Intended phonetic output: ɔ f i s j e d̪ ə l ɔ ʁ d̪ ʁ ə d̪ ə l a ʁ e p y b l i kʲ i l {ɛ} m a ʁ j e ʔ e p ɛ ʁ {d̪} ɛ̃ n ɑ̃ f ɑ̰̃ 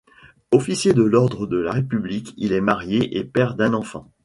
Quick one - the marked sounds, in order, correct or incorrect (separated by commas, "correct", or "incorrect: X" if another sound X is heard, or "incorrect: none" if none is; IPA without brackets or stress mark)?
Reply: correct, correct